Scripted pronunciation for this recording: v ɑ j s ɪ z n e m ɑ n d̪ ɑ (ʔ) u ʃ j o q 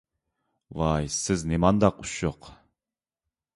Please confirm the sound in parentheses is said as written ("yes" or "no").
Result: no